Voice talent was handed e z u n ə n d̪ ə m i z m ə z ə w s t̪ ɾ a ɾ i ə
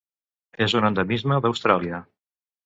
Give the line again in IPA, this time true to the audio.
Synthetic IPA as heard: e z u n ə n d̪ ə m i z m ə ð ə w s t̪ ɾ a l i ə